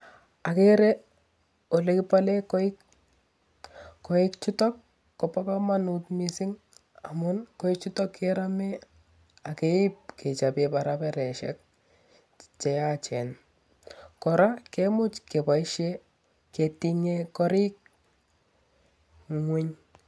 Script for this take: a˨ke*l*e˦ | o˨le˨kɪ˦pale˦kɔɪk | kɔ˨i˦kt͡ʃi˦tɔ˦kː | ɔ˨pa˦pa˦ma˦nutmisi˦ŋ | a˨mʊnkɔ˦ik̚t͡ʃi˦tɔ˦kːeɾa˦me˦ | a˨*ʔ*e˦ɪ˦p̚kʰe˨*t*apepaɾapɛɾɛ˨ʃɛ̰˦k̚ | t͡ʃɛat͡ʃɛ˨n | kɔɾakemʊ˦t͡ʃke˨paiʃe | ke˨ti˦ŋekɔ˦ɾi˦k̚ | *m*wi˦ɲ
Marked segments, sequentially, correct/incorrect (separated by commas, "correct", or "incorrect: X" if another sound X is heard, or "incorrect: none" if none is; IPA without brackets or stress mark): incorrect: ɾ, incorrect: k, incorrect: t͡ʃ, incorrect: ŋ